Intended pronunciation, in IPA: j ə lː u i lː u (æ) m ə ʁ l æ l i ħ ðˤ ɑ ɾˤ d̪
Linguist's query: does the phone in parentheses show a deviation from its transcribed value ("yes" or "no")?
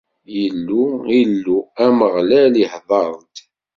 no